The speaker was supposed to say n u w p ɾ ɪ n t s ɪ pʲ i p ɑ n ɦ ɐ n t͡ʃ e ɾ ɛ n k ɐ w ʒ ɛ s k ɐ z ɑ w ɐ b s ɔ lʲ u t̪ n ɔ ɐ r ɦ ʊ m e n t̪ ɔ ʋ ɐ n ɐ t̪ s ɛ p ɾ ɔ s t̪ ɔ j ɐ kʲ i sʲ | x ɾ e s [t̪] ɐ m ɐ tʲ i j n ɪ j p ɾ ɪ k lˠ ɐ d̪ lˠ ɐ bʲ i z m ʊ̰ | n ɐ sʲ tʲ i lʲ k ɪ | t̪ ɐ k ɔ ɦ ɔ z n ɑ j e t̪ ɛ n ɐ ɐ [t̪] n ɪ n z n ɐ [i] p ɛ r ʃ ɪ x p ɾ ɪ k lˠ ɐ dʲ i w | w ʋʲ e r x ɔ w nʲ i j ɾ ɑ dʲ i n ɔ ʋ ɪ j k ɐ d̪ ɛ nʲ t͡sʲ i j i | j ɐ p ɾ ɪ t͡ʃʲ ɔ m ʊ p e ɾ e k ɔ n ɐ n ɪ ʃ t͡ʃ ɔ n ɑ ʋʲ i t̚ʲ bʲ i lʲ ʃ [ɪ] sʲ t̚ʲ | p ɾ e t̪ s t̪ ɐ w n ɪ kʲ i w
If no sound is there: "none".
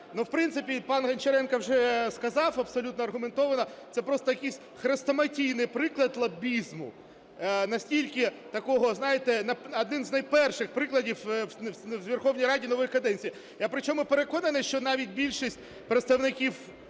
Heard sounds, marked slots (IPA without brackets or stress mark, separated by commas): t̪, d̪, j, i